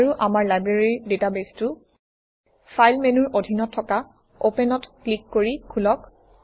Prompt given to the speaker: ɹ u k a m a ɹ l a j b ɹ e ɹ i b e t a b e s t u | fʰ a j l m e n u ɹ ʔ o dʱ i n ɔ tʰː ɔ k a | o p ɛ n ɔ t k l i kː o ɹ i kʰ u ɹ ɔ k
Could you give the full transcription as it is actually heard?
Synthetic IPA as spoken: ɹ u ʔ a m a ɹ l a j b ɹ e ɹ i d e t a b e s t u | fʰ a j l m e n u ɹ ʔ o dʱ i n ɔ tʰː ɔ k a | o p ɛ n ɔ t k l i kː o ɹ i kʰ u l ɔ k